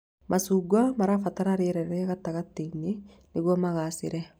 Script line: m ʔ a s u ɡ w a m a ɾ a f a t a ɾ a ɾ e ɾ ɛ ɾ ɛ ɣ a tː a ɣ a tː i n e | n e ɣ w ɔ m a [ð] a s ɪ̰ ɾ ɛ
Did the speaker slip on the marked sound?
yes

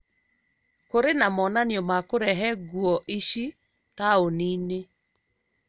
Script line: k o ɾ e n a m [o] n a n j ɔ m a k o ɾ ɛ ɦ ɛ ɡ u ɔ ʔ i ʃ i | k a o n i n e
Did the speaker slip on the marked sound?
yes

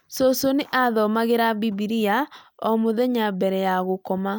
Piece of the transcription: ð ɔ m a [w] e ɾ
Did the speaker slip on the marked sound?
yes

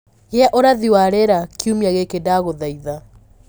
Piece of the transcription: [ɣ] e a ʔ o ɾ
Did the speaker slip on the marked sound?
no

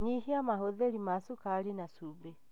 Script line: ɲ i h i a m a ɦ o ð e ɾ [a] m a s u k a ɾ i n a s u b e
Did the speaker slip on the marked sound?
yes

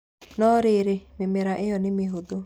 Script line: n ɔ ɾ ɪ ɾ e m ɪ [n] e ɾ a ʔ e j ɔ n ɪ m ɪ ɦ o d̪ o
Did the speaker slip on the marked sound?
yes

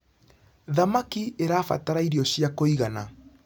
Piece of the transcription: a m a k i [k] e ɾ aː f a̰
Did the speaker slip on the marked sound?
yes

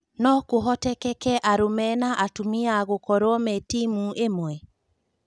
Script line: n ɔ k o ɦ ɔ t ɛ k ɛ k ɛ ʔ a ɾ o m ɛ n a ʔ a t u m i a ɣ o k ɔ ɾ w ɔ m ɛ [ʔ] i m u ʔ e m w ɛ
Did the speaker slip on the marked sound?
yes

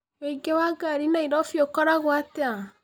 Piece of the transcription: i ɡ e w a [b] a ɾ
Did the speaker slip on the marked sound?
yes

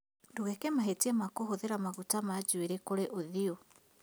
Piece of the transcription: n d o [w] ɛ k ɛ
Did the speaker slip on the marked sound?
yes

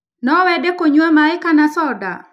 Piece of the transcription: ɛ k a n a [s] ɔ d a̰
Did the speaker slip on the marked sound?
no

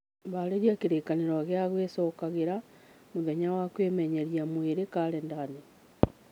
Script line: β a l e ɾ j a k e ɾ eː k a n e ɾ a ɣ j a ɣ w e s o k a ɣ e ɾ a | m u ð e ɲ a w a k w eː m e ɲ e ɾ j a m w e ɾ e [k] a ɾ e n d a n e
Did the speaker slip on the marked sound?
no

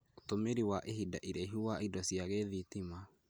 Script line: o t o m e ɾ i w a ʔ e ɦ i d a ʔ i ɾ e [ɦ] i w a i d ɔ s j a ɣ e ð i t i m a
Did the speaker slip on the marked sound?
no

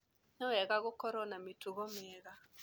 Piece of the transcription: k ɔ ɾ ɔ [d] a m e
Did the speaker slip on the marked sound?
yes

